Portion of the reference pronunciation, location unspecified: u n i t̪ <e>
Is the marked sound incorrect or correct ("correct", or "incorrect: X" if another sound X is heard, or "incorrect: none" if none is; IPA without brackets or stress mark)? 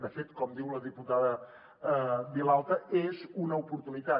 incorrect: a